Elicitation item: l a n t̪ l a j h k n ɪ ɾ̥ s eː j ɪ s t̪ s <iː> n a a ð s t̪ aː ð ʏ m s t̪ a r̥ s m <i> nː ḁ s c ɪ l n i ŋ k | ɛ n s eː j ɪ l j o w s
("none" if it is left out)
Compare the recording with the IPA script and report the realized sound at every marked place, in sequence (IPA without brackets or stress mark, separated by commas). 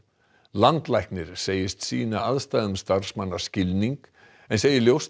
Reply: iː, a